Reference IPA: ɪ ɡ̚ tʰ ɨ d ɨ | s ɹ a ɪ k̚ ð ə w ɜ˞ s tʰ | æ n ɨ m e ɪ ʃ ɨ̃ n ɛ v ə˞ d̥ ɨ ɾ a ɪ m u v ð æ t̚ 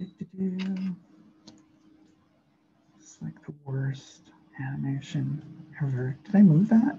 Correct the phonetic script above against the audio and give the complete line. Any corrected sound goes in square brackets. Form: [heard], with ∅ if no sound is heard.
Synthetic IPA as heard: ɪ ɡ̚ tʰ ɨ d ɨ | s [l] a ɪ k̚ ð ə w ɜ˞ s [t] | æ n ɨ m e ɪ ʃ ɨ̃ n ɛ v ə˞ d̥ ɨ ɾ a ɪ m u v ð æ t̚